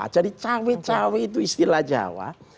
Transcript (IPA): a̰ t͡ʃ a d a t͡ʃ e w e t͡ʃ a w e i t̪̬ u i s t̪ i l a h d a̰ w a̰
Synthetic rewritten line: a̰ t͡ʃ a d i t͡ʃ a w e t͡ʃ a w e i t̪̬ u i s t̪ i l a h d͡ʒ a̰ w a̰